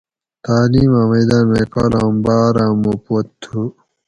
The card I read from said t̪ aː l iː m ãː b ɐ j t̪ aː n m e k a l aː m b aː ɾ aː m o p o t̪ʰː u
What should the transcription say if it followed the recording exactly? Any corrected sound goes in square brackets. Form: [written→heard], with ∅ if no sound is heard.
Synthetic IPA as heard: t̪ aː l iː m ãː [b→m] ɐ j [t̪→d̪] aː n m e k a l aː m b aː ɾ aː m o p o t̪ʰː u

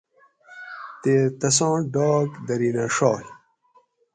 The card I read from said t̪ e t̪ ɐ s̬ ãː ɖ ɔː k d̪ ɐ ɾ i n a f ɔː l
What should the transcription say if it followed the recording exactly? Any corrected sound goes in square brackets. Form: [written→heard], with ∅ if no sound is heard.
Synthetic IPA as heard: t̪ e t̪ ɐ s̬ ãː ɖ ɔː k d̪ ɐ ɾ i n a [f→ʂ] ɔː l

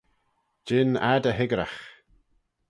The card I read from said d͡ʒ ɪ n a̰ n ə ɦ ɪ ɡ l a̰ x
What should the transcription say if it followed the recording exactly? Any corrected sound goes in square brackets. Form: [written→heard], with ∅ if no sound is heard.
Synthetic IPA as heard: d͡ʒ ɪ n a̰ [n→d] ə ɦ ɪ ɡ [l→ɾ] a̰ x

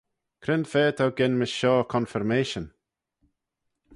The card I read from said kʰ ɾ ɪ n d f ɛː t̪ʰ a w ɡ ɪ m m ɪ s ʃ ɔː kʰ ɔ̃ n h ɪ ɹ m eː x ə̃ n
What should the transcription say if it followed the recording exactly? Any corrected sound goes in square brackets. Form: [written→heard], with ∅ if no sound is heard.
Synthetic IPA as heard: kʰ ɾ ɪ n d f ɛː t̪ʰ a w ɡ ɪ [m→n] m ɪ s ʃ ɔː kʰ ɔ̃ n [h→f] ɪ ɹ m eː [x→ʃ] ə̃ n

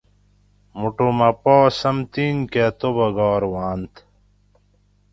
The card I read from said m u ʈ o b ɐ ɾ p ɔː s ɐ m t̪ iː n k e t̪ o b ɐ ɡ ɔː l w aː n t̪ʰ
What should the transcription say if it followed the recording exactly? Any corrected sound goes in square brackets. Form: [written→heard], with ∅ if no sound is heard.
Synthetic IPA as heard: m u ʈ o [b→m] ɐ [ɾ→∅] p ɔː s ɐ m t̪ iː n k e t̪ o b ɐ ɡ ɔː [l→ɾ] w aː n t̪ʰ

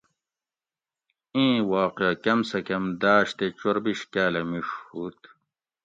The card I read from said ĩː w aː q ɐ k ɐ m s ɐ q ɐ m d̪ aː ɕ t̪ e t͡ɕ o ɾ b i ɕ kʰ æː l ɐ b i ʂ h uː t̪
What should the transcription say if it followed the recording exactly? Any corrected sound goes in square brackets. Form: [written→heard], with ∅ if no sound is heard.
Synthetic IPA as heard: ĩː w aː q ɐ k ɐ m s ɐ [q→k] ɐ m d̪ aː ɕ t̪ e t͡ɕ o ɾ b i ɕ [kʰ→k] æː l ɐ [b→m] i ʂ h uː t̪

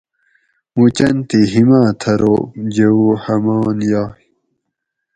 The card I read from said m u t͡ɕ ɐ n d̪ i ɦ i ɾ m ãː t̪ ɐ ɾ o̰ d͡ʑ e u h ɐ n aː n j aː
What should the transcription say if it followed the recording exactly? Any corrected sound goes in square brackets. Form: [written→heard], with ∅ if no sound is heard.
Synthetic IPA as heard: m u t͡ɕ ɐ n [d̪→t̪] i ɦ i [ɾ→∅] m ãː [t̪→t̪ʰ] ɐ ɾ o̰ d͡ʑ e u h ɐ [n→m] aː n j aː

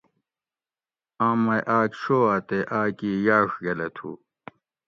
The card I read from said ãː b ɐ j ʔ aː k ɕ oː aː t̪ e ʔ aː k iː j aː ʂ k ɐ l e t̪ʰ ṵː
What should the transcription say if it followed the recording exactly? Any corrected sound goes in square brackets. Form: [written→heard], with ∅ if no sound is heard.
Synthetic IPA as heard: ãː [b→m] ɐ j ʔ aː k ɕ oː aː t̪ e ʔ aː k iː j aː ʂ [k→ɡ] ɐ l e t̪ʰ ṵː

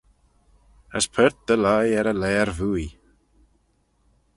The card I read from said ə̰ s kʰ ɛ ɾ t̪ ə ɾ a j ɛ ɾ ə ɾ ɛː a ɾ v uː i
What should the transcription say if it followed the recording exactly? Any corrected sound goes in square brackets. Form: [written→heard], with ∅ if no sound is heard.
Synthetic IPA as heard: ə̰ s [kʰ→pʰ] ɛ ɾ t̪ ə [ɾ→l] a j ɛ ɾ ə [ɾ→l] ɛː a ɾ v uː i

